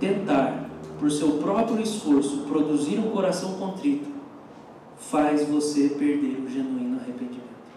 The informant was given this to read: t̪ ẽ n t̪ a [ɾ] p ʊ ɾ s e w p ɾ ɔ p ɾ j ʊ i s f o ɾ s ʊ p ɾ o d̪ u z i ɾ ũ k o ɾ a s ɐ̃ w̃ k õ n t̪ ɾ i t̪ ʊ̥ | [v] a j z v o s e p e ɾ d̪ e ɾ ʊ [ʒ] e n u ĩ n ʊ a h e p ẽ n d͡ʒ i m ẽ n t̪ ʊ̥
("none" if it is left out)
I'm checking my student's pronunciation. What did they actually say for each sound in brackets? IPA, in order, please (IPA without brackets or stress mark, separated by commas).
ɾ, f, ʒ